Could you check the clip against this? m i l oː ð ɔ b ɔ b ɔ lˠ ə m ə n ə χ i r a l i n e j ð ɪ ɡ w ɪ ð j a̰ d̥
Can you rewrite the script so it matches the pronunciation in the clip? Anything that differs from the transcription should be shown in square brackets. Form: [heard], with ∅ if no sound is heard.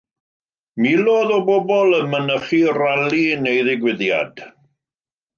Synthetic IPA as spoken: m i l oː ð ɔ b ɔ b ɔ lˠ ə m ə n ə χ i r a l i n e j ð ɪ ɡ w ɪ ð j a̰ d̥